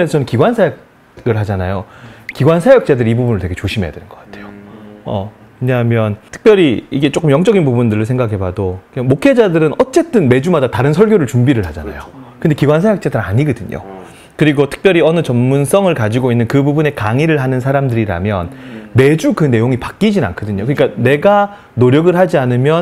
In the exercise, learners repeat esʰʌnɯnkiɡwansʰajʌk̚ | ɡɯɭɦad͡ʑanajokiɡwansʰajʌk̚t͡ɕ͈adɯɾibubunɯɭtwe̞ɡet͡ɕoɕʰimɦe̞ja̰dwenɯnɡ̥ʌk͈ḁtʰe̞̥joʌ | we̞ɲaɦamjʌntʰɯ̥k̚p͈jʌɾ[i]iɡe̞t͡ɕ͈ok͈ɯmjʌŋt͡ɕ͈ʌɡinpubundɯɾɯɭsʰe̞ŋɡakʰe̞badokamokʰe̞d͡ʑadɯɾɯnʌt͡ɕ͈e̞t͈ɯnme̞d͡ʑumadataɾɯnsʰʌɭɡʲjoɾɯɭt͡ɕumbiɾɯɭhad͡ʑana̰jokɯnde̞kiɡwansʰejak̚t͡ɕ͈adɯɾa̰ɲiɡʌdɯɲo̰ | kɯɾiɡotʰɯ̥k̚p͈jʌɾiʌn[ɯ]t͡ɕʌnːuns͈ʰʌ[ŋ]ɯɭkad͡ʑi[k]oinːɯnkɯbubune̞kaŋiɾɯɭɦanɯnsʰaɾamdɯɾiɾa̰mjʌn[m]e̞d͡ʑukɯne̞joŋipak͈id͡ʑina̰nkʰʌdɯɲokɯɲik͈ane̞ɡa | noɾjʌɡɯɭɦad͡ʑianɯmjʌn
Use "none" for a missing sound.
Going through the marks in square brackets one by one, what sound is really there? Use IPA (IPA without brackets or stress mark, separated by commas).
i, ɯ, ŋ, ɡ, m